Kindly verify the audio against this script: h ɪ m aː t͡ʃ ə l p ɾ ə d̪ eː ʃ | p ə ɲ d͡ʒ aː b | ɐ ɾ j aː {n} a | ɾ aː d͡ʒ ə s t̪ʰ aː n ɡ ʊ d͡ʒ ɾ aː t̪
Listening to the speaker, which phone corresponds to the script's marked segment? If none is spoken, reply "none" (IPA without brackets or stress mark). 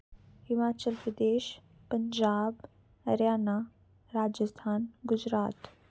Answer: n